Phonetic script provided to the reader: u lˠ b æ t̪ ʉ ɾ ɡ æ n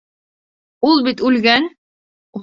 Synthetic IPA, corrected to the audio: u lˠ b i t̪ ʉ l ɡ æ n